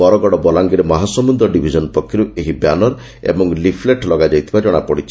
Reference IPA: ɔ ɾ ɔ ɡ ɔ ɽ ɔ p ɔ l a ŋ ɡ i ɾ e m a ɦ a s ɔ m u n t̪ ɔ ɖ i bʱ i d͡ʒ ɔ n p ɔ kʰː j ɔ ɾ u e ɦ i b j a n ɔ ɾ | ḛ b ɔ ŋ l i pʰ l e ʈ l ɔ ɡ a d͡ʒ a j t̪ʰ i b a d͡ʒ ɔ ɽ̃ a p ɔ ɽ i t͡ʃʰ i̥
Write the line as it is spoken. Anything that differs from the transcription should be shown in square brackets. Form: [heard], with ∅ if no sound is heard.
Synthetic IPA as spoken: ɔ ɾ ɔ ɡ ɔ ɽ ɔ [b] ɔ l a ŋ ɡ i ɾ e m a ɦ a s ɔ m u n [d̪] ɔ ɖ i bʱ i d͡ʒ ɔ n p ɔ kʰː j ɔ ɾ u e ɦ i b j a n ɔ ɾ | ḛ b ɔ ŋ l i pʰ l e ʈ l ɔ ɡ a d͡ʒ a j t̪ʰ i b a d͡ʒ ɔ ɽ̃ a p ɔ ɽ i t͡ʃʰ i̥